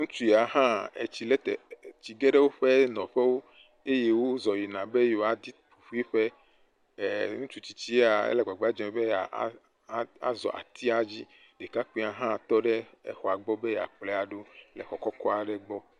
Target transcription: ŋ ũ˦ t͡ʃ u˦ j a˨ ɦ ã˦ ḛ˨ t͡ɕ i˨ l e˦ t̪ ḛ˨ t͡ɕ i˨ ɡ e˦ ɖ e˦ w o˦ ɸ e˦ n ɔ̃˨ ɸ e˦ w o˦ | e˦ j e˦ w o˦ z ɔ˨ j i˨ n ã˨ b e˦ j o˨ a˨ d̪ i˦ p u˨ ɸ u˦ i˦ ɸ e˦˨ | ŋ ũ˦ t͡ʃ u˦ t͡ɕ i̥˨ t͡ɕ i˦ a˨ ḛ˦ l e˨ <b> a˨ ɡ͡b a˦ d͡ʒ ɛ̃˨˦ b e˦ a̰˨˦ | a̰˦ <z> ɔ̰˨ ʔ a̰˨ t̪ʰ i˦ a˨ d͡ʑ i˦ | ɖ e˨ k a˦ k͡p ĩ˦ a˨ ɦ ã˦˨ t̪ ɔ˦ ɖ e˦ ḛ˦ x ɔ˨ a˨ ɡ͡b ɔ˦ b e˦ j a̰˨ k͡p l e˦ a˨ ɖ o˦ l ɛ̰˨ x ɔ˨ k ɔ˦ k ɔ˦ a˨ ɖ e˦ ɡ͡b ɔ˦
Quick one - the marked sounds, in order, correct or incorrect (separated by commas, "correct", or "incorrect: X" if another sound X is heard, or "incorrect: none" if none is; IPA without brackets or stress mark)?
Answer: incorrect: ɡ͡b, correct